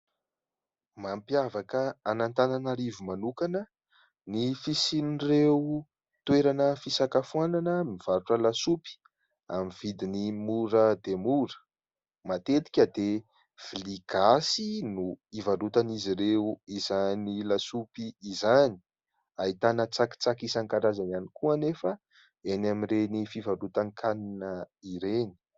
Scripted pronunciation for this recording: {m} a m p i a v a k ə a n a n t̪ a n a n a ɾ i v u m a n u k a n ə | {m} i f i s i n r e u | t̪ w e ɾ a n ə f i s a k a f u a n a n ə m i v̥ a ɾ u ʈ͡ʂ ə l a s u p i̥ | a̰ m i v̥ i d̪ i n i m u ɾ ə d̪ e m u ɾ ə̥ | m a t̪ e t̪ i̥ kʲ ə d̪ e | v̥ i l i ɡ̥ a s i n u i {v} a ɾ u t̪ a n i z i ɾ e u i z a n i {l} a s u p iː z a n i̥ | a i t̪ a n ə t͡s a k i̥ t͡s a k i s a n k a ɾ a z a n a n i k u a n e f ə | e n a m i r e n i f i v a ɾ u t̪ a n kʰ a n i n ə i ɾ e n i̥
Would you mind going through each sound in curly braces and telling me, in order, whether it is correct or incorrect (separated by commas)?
correct, incorrect, correct, correct